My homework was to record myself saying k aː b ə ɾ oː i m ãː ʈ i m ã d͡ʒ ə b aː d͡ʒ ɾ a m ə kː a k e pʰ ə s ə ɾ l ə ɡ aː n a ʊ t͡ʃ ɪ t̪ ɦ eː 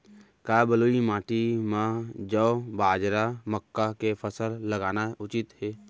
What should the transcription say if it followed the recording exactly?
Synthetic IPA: k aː b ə l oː i m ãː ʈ i m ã d͡ʒ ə b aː d͡ʒ ɾ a m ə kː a k e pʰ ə s ə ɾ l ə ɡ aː n a ʊ t͡ʃ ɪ t̪ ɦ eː